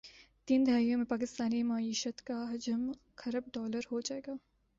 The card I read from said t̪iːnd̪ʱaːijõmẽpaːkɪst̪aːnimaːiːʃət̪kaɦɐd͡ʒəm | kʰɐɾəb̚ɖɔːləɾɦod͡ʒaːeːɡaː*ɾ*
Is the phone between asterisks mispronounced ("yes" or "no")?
yes